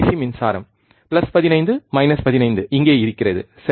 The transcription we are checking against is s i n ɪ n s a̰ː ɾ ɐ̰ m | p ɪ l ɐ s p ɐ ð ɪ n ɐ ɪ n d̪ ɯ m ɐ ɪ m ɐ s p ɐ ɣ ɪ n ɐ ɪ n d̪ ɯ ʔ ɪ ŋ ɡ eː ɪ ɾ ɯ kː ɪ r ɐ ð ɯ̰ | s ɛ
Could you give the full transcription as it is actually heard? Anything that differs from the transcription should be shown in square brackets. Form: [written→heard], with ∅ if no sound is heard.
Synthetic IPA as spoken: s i [n→m] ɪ n s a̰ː ɾ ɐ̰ m | p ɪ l ɐ s p ɐ ð ɪ n ɐ ɪ n d̪ ɯ m ɐ ɪ [m→n] ɐ s p ɐ [ɣ→ð] ɪ n ɐ ɪ n d̪ ɯ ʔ ɪ ŋ ɡ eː ɪ ɾ ɯ kː ɪ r ɐ ð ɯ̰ | s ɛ